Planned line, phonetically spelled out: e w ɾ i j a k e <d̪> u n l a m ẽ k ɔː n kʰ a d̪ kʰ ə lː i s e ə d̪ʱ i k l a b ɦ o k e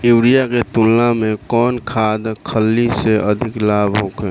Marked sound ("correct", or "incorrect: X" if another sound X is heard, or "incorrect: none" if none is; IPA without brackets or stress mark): incorrect: t̪